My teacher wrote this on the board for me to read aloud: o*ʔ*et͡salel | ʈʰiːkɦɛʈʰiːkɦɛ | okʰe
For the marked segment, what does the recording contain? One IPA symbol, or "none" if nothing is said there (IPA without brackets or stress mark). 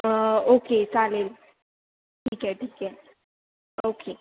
k